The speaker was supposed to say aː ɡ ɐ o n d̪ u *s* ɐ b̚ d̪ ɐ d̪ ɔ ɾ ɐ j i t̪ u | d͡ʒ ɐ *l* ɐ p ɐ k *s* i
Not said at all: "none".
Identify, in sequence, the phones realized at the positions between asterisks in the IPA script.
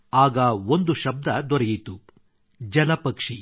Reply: ʃ, l, ʂ

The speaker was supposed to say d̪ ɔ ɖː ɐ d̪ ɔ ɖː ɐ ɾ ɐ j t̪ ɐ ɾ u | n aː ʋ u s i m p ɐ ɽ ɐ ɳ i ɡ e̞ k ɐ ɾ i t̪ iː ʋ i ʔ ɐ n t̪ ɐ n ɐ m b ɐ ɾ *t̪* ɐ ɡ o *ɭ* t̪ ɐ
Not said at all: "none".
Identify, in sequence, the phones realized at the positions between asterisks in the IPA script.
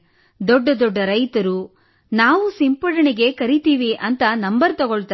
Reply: t̪, ɭ

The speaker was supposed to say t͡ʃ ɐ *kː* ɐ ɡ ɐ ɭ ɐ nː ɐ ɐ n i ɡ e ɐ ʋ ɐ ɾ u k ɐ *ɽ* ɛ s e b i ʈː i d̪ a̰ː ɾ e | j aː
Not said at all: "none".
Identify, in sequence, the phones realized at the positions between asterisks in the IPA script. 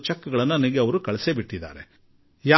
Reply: kː, ɭ

